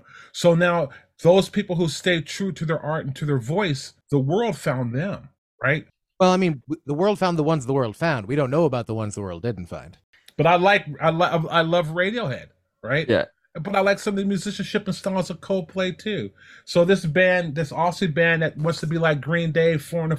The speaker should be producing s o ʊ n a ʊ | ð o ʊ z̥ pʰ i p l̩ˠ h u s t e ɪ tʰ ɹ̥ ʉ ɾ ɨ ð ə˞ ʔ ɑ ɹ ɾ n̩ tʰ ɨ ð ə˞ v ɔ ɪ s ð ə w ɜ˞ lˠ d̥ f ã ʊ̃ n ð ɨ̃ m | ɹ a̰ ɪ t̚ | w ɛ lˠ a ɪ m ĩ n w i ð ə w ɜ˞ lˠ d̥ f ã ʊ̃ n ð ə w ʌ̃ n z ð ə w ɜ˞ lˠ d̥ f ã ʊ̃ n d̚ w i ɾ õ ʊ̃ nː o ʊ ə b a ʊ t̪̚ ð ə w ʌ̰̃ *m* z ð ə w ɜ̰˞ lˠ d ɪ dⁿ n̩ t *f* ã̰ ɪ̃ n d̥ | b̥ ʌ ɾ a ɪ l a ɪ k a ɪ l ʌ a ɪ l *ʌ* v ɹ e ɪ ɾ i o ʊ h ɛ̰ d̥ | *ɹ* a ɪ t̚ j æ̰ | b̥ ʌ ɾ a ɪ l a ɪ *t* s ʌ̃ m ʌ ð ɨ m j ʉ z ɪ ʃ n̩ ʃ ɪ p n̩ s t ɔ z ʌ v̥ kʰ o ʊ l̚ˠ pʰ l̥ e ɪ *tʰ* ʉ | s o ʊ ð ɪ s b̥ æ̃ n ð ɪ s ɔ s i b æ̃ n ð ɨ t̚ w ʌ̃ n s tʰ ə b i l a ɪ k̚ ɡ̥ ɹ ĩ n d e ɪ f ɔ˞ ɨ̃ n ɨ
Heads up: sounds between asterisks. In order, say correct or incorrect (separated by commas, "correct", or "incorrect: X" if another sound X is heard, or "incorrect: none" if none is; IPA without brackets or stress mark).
incorrect: n, correct, correct, correct, incorrect: k, correct